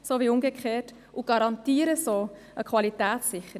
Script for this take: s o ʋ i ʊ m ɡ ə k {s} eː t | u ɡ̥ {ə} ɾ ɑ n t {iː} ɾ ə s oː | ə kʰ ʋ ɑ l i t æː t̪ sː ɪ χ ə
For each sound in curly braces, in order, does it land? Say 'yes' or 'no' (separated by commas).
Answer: no, no, yes